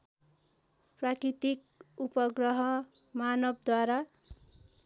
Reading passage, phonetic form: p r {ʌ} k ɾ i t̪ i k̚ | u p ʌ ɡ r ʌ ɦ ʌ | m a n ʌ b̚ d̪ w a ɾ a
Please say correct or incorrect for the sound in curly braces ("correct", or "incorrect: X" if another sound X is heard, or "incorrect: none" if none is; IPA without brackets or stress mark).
incorrect: a